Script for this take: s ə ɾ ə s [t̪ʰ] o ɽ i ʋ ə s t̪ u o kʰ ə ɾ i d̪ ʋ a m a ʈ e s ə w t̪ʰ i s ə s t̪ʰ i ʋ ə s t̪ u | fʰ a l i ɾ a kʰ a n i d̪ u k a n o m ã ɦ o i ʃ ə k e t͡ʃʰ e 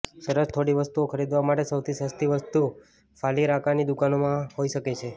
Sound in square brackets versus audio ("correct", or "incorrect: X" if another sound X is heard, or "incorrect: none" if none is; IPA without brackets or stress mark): correct